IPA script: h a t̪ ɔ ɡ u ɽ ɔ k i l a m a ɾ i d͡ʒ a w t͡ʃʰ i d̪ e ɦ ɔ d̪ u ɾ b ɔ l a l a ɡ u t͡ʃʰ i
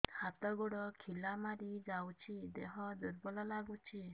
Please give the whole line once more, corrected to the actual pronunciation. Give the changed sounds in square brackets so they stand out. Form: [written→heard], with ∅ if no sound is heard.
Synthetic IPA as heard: h a t̪ ɔ ɡ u ɽ ɔ [k→kʰ] i l a m a ɾ i d͡ʒ a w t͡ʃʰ i d̪ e ɦ ɔ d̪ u ɾ b ɔ l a l a ɡ u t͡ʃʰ i